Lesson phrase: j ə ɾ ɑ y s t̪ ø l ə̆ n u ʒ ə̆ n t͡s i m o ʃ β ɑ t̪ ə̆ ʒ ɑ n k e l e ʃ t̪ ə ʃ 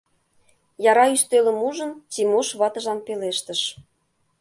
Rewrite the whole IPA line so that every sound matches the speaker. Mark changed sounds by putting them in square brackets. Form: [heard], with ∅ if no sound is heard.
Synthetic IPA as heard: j [ɑ] ɾ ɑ y s t̪ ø l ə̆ [m] u ʒ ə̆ n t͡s i m o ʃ β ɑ t̪ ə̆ ʒ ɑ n [p] e l e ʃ t̪ ə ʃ

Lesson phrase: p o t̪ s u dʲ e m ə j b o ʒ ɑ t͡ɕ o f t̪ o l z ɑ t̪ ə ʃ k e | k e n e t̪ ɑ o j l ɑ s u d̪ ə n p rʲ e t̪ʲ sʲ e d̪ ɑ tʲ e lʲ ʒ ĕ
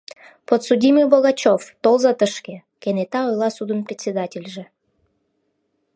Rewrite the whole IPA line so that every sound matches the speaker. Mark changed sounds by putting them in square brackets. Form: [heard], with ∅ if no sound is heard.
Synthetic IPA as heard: p o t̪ s u dʲ [i] m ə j b o [ɣ] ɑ t͡ɕ o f t̪ o l z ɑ t̪ ə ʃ k e | k e n e t̪ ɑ o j l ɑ s u d̪ ə n p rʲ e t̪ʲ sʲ e d̪ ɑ tʲ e lʲ ʒ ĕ

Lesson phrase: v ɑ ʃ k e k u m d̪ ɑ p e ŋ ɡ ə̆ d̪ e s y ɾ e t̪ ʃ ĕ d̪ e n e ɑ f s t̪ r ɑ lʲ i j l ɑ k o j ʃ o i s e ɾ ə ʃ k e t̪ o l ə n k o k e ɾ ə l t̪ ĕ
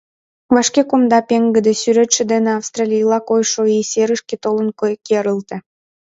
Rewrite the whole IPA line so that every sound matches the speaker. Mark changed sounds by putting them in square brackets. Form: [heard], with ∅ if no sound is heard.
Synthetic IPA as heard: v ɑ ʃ k e k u m d̪ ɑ p e ŋ ɡ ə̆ d̪ e s y ɾ e t̪ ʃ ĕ d̪ e n e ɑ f s t̪ r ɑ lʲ i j l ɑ k o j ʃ o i s e ɾ ə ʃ k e t̪ o l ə n k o k e ɾ ə l t̪ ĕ

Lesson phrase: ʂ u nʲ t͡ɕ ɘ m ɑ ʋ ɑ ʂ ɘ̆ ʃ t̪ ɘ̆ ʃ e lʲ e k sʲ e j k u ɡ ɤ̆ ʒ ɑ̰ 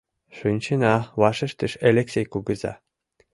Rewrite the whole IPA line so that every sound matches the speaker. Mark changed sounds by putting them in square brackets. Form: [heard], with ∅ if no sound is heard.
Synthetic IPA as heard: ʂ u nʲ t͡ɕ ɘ [n] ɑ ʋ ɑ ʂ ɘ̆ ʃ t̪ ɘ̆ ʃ e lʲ e k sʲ e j k u ɡ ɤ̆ [z] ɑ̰

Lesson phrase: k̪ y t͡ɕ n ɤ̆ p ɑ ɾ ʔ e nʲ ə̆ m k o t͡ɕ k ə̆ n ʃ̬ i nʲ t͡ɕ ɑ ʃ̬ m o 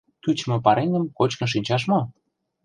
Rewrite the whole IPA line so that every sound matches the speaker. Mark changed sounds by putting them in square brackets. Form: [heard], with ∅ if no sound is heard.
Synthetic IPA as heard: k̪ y t͡ɕ [m] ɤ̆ p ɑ ɾ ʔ e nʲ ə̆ m k o t͡ɕ k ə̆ n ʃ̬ i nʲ t͡ɕ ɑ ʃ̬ m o

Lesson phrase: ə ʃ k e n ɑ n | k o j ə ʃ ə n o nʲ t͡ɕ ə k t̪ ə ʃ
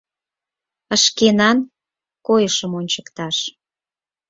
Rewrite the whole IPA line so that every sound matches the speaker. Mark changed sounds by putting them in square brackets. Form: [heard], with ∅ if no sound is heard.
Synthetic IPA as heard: ə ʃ k e n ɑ n | k o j ə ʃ ə [m] o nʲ t͡ɕ ə k t̪ [ɑ] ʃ

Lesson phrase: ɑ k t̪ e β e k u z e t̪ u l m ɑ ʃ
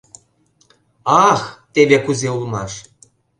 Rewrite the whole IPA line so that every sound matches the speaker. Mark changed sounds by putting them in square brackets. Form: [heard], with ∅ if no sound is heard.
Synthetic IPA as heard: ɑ [x] t̪ e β e k u z e [∅] u l m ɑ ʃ

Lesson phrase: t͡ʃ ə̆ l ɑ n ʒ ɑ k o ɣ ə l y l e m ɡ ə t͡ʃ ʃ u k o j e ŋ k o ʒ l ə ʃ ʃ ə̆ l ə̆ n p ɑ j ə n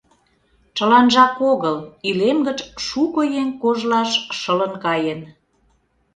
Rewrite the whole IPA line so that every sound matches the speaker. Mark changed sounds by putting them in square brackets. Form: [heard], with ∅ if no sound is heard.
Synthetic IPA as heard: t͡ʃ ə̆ l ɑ n ʒ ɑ k o ɣ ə l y l e m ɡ ə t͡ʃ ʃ u k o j e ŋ k o ʒ l [ɑ] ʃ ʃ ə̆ l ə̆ n [k] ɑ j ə n

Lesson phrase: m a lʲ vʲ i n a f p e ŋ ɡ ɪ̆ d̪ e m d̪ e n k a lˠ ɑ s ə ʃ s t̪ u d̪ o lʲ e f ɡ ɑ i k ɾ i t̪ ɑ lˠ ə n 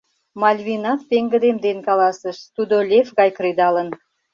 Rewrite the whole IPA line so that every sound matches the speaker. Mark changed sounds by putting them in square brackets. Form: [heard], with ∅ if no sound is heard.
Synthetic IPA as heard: m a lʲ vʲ i n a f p e ŋ ɡ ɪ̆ d̪ e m d̪ e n k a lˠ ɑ s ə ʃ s t̪ u d̪ o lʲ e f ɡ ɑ [j] k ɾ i [d̪] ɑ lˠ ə n

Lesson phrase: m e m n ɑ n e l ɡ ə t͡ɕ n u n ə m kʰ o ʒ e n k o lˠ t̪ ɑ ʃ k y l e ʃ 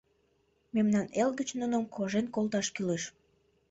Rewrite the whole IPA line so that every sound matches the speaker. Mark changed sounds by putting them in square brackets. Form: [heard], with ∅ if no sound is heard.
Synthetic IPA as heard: m e m n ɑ n e l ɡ ə t͡ɕ n u n ə m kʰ o ʒ e n k o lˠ t̪ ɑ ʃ k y l e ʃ

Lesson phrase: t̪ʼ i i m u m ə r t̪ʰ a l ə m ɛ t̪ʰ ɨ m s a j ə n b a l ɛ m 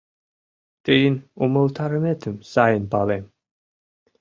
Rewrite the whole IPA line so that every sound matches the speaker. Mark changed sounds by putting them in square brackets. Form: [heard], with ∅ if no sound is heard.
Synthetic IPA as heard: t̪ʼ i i [n] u m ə [l] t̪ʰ a [ɾ] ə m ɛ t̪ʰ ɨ m s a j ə n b a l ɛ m

